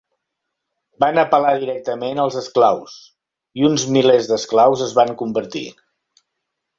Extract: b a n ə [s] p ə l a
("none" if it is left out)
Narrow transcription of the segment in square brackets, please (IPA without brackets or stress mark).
none